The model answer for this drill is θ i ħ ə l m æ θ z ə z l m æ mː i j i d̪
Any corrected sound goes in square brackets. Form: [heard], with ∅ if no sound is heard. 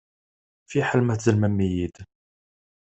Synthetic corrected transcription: [f] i ħ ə l m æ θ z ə [∅] l m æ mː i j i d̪